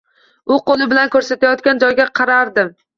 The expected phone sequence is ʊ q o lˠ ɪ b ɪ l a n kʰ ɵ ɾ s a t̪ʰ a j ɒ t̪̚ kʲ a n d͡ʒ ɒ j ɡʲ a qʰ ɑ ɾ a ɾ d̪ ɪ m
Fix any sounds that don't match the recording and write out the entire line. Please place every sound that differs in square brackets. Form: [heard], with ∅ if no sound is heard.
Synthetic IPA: ʊ q o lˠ ɪ b ɪ l a n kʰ ɵ ɾ s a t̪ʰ a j ɒ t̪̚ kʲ a n d͡ʒ ɒ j ɡʲ a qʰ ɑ ɾ a ɾ d̪ ɪ m